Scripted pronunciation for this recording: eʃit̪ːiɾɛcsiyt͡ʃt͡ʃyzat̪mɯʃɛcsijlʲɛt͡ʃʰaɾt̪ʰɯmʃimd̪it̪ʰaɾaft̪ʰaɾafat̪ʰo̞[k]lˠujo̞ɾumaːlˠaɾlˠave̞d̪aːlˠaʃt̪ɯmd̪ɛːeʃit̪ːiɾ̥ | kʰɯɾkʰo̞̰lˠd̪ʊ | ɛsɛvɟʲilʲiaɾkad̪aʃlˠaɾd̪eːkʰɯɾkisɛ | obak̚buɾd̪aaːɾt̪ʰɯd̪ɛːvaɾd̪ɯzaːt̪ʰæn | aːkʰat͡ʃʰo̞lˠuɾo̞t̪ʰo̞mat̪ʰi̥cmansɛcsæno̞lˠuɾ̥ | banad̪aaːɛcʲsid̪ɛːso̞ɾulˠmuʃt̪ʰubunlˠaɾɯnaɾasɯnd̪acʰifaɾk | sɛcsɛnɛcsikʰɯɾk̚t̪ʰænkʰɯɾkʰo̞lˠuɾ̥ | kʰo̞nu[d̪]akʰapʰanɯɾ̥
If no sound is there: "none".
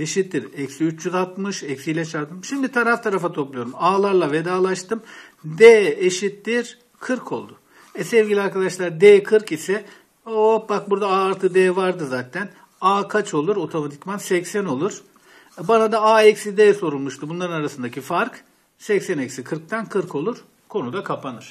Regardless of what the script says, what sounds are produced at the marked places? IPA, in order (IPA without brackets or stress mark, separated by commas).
p, d̪